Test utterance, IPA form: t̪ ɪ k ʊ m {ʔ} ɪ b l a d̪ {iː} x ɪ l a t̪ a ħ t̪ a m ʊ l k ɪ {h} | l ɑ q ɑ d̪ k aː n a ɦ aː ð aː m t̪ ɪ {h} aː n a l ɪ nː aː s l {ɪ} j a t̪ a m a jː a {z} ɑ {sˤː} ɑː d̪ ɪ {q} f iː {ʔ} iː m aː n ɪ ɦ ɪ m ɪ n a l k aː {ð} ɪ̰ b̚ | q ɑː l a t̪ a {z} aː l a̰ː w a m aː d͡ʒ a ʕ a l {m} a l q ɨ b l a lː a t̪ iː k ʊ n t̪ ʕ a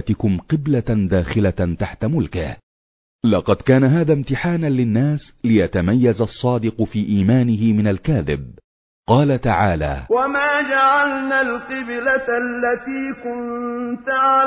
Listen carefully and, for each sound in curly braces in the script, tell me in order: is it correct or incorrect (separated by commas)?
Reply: incorrect, incorrect, correct, incorrect, correct, correct, correct, correct, correct, correct, incorrect, incorrect